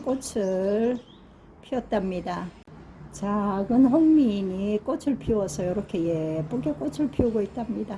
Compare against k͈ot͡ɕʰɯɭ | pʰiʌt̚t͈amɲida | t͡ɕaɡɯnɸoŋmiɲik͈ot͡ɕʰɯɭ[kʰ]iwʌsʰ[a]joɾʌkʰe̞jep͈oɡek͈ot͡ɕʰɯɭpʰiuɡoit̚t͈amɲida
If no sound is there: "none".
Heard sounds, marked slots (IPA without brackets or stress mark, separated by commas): pʰ, ʌ